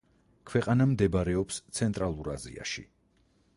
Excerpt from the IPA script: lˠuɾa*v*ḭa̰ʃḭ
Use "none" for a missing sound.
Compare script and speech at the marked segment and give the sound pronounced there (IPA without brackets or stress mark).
z